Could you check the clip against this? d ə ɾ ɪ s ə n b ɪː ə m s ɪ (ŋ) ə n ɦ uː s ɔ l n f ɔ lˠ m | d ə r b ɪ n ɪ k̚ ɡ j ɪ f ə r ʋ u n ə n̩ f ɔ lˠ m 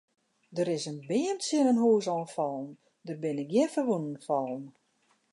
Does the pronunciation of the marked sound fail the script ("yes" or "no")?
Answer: yes